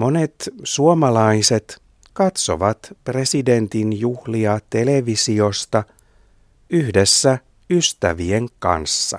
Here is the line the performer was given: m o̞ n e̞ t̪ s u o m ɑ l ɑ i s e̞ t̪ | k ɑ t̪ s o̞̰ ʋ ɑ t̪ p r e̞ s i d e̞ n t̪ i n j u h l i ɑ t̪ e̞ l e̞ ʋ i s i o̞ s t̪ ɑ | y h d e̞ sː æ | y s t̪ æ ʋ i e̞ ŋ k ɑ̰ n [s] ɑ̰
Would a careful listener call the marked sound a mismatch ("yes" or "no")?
yes